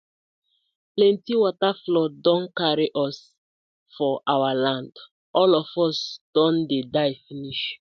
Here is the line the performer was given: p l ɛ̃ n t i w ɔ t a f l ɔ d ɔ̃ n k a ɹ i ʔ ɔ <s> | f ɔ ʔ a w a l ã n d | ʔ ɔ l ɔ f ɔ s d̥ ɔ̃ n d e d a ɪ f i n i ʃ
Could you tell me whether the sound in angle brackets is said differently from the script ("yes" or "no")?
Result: no